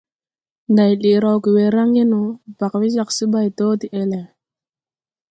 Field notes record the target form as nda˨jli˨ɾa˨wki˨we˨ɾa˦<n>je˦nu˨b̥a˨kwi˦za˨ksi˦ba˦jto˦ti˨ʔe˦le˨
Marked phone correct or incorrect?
incorrect: ŋ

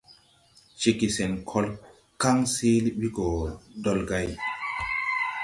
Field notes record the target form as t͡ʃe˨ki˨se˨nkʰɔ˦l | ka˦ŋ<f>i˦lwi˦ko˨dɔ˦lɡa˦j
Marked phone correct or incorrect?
incorrect: s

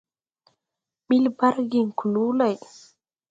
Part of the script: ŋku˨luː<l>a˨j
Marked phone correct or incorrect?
correct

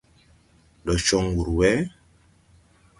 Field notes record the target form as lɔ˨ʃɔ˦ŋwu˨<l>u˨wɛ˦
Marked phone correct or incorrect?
incorrect: ɾ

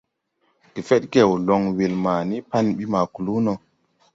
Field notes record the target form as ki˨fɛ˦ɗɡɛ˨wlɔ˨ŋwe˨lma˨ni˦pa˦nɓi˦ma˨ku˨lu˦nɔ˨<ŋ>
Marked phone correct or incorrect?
incorrect: none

